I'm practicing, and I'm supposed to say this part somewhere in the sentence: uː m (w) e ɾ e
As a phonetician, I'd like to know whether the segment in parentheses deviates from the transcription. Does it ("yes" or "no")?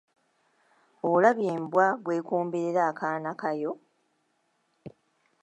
yes